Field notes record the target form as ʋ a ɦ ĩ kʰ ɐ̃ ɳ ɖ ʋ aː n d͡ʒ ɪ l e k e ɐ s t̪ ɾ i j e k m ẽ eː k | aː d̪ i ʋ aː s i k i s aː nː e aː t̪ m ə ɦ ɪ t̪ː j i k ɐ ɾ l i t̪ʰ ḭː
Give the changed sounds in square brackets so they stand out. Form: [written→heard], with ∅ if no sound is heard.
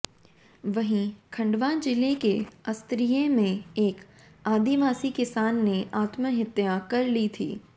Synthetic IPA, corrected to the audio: ʋ [a→ɐ] ɦ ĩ kʰ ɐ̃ ɳ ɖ ʋ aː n d͡ʒ ɪ l e k e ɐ s t̪ ɾ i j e [k→∅] m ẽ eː k | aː d̪ i ʋ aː s i k [i→ɪ] s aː nː e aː t̪ m ə ɦ ɪ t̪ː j [i→a] k ɐ ɾ l i t̪ʰ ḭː